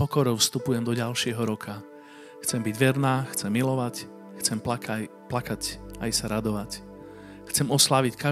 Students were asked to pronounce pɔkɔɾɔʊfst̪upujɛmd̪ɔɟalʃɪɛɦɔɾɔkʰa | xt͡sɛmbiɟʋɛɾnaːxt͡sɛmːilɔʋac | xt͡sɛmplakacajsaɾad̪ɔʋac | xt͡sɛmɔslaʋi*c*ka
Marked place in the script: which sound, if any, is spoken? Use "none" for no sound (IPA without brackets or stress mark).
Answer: c